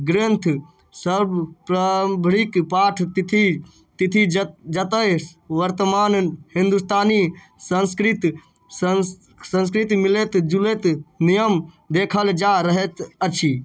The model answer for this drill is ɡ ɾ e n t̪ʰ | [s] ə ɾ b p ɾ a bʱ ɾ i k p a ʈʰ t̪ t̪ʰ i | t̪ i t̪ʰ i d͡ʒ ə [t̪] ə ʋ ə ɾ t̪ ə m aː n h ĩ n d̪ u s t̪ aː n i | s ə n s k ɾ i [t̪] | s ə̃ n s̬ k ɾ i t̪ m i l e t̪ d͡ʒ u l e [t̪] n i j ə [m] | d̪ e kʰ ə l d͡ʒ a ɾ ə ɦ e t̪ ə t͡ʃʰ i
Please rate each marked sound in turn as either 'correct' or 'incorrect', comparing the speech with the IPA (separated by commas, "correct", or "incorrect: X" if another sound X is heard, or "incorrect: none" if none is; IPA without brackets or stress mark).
correct, correct, correct, correct, correct